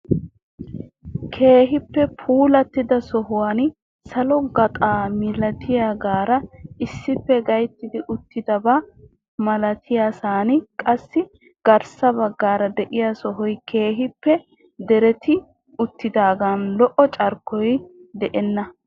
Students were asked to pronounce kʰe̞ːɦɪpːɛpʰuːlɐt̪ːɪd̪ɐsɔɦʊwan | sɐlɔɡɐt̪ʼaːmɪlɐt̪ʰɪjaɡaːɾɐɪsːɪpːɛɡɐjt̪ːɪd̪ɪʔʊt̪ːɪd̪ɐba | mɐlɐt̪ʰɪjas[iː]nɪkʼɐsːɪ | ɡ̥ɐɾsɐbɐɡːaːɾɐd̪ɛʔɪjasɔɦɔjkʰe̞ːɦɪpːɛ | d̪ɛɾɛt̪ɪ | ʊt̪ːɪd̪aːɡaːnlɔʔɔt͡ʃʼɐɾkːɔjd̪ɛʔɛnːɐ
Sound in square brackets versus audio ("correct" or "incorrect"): incorrect